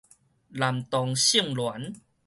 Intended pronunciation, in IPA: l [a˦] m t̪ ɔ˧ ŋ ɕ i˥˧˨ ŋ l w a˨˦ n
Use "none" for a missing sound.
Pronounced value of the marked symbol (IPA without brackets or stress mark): a˨˩